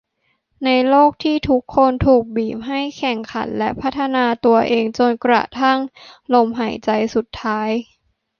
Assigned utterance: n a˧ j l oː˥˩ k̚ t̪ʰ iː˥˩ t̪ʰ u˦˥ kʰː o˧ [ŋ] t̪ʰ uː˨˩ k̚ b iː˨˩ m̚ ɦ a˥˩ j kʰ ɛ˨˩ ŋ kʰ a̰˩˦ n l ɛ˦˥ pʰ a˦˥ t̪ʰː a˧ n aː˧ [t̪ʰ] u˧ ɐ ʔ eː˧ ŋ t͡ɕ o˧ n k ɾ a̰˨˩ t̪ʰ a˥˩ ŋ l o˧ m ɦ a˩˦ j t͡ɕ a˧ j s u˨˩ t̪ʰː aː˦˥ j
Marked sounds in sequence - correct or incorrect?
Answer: incorrect: n, incorrect: t̪

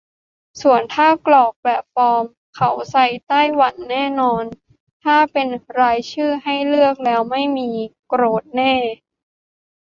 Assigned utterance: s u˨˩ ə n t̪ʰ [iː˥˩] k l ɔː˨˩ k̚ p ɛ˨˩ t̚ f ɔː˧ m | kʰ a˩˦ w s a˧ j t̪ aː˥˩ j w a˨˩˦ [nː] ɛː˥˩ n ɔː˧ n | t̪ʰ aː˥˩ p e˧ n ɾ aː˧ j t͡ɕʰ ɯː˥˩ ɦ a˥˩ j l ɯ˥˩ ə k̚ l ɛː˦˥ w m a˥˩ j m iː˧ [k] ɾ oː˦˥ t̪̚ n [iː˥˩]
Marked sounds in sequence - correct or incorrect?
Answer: incorrect: aː˥˩, correct, correct, incorrect: ɛː˥˩

